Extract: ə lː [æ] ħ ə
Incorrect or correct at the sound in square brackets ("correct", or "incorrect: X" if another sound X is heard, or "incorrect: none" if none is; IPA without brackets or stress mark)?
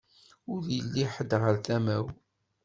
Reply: incorrect: i